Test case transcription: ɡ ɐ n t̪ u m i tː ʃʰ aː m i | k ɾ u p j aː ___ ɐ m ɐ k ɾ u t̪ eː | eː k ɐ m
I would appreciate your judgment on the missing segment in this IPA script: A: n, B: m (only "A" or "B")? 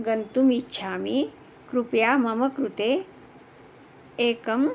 B